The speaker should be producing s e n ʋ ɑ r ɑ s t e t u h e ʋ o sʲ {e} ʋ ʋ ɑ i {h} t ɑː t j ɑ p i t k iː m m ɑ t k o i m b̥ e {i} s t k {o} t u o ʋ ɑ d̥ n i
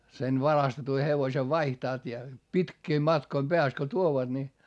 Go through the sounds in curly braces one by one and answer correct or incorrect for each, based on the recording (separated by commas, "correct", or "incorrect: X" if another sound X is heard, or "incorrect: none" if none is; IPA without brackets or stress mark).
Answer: correct, correct, incorrect: æ, correct